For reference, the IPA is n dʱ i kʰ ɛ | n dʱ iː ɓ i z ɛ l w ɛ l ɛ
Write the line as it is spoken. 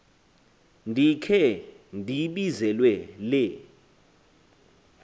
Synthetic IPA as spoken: n dʱ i kʰ ɛ | n dʱ i ɓ i z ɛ l w ɛ l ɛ